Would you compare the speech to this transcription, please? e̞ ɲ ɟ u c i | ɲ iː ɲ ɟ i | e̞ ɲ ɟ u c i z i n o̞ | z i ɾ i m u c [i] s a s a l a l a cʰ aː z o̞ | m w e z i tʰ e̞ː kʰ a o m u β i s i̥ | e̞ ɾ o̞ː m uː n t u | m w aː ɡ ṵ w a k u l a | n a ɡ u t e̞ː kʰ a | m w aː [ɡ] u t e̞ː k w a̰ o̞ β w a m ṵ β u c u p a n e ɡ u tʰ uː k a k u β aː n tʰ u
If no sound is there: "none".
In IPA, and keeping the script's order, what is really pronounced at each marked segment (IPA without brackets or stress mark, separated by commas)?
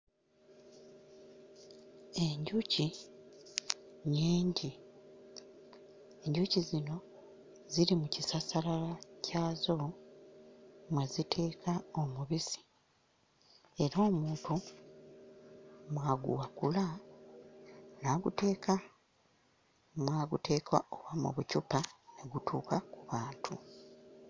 i, ɡ